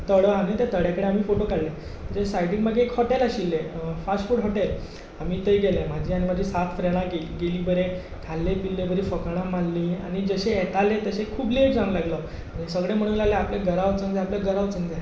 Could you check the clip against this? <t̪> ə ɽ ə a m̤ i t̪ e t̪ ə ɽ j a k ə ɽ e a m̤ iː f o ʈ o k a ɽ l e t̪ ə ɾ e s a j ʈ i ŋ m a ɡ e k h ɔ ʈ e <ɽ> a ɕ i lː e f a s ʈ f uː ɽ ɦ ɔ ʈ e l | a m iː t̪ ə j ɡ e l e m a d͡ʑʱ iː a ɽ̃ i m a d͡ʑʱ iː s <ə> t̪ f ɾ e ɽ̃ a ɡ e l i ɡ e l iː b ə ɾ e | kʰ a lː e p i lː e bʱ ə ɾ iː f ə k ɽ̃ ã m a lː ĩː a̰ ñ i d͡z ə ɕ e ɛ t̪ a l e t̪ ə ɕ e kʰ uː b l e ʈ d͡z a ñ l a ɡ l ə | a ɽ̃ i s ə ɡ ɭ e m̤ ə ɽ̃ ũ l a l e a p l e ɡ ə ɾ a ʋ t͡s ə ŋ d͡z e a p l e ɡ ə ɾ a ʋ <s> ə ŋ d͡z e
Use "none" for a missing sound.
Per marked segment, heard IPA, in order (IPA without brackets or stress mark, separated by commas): t̪, l, a, t͡s